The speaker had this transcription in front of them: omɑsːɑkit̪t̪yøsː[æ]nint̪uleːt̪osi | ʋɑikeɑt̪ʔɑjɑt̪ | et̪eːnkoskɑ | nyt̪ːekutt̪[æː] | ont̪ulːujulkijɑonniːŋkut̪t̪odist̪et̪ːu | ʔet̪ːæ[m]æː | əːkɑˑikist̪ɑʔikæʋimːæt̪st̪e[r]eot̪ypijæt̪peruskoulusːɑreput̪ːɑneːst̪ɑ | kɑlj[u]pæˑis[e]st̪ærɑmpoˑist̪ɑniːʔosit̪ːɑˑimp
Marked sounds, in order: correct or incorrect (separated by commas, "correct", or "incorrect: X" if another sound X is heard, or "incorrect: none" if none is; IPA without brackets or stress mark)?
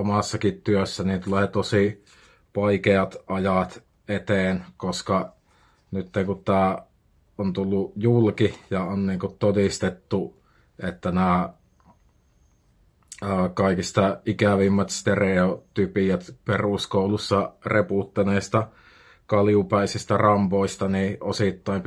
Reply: correct, correct, incorrect: n, correct, correct, incorrect: i